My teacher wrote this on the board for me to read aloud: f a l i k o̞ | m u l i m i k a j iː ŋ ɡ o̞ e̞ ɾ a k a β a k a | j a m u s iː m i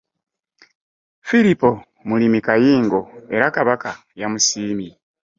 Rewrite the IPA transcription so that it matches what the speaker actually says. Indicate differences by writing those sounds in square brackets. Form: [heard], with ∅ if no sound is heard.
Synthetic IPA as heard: f [i] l i [p] o̞ | m u l i m i k a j iː ŋ ɡ o̞ e̞ ɾ a k a β a k a | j a m u s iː m i

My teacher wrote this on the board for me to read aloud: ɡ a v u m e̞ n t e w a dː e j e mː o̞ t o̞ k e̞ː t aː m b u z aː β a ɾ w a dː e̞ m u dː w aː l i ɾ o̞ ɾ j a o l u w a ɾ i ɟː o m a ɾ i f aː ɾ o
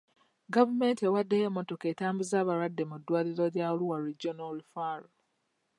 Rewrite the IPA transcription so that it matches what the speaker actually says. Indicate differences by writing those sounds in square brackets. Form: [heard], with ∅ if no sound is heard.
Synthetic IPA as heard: ɡ a v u m e̞ n t e w a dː e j e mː o̞ t o̞ k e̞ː t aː m b u z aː β a ɾ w a dː e̞ m u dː w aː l i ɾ o̞ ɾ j a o l u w a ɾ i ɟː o [n] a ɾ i f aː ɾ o

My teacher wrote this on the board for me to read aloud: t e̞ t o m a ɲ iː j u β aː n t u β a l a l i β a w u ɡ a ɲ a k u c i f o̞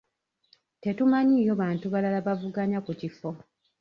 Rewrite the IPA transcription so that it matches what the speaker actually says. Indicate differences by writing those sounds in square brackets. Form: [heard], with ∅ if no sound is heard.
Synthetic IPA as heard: t e̞ t [u] m a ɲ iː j [o] β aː n t u β a l a l [a] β a [v] u ɡ a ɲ a k u c i f o̞

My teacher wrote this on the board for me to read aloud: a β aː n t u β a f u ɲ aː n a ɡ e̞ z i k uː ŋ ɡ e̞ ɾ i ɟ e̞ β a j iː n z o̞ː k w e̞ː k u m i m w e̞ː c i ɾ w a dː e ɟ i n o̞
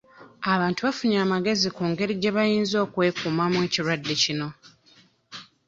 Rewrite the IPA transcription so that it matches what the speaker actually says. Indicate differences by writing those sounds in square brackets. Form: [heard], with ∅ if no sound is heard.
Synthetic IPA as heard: a β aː n t u β a f u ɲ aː [m] a ɡ e̞ z i k uː ŋ ɡ e̞ ɾ i ɟ e̞ β a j iː n z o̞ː k w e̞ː k u m [a] m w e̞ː c i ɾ w a dː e [c] i n o̞

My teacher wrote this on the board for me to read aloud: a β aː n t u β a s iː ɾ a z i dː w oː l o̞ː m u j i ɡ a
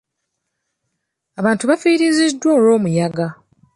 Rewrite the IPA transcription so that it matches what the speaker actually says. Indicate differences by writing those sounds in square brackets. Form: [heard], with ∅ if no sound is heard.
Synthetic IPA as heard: a β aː n t u β a [f] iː ɾ [i] z i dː w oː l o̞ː m u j [a] ɡ a

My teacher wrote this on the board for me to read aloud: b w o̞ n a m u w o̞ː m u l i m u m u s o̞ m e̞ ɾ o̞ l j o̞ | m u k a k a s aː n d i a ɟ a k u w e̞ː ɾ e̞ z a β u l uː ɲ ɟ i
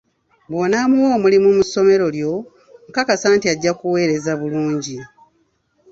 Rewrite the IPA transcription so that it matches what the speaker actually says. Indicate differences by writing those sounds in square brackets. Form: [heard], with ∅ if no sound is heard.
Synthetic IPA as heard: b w o̞ n a m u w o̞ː m u l i m u m u s o̞ m e̞ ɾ o̞ l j o̞ | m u k a k a s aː n [t] i a [ɟː] a k u w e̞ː ɾ e̞ z a β u l uː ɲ ɟ i

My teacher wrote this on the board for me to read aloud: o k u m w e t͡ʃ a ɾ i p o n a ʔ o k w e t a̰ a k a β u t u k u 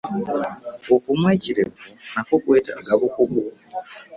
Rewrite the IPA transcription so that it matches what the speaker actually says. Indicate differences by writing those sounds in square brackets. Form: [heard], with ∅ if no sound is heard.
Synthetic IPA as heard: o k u m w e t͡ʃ [i] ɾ [e] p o n a [k] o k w e t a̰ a [ɡ] a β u [k] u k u

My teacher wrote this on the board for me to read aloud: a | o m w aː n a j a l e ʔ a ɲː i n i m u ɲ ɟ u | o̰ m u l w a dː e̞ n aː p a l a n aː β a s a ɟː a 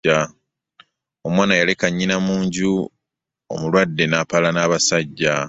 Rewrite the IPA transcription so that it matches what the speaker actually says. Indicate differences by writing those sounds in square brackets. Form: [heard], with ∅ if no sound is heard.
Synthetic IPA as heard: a | o m w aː n a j a l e [k] a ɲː i n [a] m [uː] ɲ ɟ u | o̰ m u l w a dː e̞ n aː p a l a n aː β a s a ɟː a

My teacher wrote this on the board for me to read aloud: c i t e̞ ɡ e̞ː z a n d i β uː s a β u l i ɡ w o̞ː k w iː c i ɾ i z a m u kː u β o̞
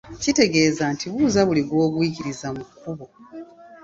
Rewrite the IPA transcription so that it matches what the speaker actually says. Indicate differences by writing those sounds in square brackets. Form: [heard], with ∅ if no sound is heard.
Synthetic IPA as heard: c i t e̞ ɡ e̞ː z a n [t] i β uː [z] a β u l i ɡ w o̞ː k w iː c i ɾ i z a m u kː u β o̞

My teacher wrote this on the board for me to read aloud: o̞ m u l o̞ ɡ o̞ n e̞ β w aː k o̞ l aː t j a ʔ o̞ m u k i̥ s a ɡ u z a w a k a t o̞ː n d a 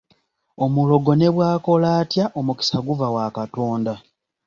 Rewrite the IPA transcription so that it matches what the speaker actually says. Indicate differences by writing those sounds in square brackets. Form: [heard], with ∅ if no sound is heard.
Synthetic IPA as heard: o̞ m u l o̞ ɡ o̞ n e̞ β w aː k o̞ l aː t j a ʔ o̞ m u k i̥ s a ɡ u [v] a w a k a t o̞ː n d a

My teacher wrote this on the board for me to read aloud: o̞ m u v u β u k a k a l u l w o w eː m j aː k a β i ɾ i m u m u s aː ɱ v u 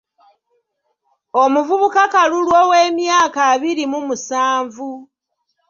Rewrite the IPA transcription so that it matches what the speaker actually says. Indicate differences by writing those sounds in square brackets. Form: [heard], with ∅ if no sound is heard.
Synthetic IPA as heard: o̞ m u v u β u k a k a l u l w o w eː m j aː k a β i ɾ i m u m u s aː ɱ v u

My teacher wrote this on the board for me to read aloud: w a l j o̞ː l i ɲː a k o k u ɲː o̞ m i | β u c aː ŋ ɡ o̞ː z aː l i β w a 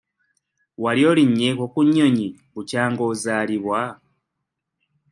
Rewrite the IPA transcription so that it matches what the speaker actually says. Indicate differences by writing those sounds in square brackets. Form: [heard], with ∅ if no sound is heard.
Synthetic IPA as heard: w a l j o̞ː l i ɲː [e] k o k u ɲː o̞ [ɲ] i | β u c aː ŋ ɡ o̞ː z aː l i β w a

